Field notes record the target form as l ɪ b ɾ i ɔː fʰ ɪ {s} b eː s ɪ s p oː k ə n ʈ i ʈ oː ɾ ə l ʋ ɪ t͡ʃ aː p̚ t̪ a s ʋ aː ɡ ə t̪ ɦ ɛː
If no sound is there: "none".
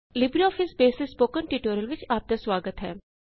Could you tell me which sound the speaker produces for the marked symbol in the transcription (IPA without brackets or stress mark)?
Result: s